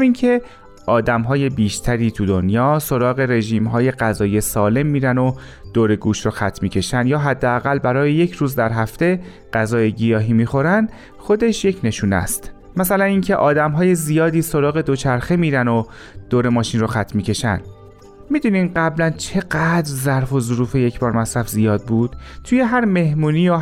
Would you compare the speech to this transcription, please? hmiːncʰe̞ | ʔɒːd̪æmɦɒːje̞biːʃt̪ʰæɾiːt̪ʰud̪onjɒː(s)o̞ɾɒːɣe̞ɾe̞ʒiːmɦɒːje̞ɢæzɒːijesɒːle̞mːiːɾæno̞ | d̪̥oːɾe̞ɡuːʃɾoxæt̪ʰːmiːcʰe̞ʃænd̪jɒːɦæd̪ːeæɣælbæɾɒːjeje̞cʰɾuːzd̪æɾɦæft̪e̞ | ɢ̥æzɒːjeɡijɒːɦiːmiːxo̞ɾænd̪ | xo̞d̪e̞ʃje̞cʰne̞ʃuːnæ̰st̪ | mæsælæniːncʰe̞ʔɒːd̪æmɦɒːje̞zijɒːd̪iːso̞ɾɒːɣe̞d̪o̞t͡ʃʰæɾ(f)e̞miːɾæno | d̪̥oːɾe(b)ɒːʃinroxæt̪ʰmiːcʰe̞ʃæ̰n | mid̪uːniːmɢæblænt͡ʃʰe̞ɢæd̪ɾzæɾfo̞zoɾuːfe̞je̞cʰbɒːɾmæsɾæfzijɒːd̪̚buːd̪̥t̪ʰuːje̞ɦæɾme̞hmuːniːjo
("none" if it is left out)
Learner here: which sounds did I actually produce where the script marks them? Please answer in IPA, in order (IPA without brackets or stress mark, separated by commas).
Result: s, x, m